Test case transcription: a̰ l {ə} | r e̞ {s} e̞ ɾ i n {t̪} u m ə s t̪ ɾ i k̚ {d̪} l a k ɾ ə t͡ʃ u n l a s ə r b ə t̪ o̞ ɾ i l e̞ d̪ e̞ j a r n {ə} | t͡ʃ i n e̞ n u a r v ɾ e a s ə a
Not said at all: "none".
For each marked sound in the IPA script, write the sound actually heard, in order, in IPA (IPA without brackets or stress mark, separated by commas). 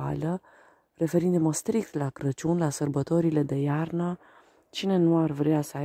ə, f, d̪, t̪, ə